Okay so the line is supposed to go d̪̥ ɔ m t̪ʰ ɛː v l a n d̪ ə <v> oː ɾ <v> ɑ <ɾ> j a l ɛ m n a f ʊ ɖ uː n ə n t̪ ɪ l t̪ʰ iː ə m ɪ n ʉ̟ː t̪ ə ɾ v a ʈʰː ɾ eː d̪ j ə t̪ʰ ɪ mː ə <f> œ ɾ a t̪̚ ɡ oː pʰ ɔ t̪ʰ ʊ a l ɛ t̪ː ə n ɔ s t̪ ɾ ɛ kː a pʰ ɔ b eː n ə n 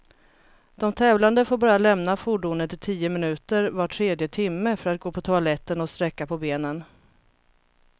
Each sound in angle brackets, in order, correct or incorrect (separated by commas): incorrect, incorrect, correct, correct